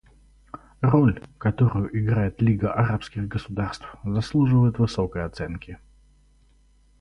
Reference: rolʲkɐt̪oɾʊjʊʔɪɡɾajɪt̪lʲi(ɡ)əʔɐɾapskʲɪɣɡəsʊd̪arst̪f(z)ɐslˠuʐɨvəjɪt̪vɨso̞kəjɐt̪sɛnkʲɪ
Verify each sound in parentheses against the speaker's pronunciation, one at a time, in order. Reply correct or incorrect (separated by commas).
correct, correct